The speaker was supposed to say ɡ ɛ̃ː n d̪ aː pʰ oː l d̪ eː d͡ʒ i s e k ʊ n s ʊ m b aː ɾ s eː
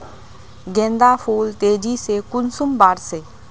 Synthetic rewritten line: ɡ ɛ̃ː n d̪ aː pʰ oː l t̪ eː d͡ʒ i s e k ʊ n s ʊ m b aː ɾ s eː